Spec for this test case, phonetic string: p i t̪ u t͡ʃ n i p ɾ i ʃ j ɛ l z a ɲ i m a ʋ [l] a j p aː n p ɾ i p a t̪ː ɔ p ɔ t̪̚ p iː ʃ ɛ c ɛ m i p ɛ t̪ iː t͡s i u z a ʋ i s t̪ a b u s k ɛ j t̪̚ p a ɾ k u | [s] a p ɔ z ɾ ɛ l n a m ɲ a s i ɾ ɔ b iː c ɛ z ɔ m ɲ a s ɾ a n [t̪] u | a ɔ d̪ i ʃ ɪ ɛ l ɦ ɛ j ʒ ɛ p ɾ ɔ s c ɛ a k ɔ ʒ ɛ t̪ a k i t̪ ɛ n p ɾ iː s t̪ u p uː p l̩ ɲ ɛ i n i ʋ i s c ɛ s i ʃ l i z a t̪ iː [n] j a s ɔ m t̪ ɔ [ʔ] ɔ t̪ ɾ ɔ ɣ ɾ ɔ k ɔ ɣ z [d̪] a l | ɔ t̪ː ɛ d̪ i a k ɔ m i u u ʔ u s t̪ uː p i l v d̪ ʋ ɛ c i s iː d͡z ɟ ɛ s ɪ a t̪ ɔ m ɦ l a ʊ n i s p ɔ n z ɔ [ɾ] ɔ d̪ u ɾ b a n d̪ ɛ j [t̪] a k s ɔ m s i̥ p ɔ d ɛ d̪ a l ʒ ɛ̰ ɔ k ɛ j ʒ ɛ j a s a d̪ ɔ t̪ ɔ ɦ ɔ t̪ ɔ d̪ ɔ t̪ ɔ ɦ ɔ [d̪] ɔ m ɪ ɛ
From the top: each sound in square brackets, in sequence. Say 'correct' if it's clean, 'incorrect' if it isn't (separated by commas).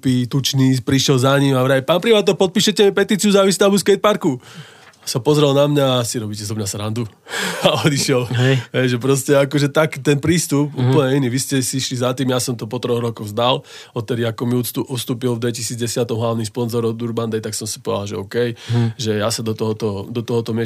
incorrect, correct, incorrect, incorrect, incorrect, correct, correct, correct, incorrect